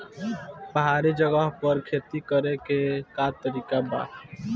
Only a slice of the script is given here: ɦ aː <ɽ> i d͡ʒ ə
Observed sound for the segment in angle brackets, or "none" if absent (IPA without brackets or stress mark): ɾ